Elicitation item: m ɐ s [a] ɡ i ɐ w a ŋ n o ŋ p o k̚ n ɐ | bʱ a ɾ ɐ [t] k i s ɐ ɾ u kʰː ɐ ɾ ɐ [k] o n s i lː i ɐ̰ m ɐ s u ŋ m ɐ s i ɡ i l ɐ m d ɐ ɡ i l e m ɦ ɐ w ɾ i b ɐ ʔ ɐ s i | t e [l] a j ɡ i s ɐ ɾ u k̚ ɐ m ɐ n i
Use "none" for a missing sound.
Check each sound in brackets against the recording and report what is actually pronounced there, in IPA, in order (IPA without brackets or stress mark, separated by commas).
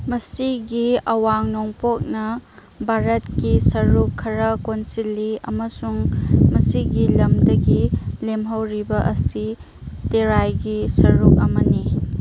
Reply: i, t, k, ɾ